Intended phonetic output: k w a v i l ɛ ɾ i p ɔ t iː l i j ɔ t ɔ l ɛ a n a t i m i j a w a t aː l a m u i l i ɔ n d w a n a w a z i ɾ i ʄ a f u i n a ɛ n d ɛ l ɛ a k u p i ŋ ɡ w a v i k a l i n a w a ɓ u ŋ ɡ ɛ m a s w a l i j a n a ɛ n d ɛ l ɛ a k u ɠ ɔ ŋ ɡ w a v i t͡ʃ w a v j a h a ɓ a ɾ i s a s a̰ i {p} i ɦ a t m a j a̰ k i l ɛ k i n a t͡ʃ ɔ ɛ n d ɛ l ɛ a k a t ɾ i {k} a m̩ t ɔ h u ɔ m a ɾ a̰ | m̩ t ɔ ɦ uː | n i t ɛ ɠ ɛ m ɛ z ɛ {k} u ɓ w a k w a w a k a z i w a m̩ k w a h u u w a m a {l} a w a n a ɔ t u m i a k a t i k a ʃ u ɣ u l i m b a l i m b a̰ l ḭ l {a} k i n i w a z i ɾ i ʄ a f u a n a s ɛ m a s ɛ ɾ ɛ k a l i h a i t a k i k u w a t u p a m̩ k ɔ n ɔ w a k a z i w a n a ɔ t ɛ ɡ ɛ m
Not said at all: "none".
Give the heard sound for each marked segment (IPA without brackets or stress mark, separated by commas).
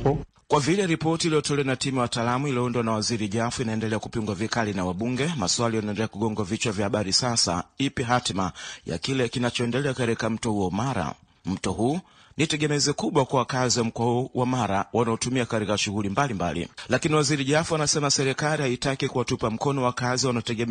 p, k, k, ɾ, a